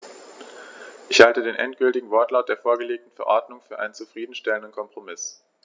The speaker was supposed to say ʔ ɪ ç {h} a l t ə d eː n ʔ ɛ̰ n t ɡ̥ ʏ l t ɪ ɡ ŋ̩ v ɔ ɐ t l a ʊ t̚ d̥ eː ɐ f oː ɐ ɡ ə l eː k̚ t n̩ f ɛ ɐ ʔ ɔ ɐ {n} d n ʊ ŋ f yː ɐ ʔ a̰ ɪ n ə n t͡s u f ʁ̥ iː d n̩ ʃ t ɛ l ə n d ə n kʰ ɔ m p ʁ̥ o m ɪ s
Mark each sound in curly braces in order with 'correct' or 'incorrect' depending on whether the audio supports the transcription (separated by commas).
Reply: correct, incorrect